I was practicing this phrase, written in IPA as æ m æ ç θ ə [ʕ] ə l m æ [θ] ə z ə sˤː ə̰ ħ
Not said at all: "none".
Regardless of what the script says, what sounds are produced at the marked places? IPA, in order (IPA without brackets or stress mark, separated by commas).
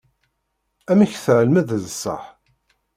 ʕ, ð